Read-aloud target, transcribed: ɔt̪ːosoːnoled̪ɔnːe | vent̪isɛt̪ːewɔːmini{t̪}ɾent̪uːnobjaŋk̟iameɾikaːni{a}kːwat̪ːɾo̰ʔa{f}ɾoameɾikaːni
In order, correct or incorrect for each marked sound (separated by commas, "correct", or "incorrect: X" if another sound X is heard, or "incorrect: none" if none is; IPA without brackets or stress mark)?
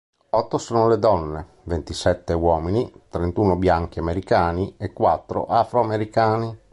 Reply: correct, incorrect: e, correct